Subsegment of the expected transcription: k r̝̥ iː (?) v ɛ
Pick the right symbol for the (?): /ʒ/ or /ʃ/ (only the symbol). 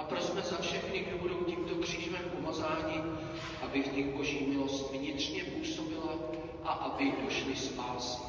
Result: ʒ